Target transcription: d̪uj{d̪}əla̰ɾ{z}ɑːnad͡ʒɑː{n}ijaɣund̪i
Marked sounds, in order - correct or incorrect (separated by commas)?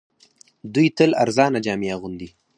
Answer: incorrect, correct, incorrect